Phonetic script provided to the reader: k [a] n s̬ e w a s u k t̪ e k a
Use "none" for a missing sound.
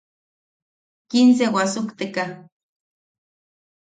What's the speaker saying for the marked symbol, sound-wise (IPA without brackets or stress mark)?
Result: i